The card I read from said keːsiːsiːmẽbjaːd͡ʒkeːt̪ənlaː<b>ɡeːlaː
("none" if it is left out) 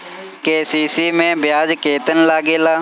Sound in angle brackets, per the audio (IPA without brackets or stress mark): none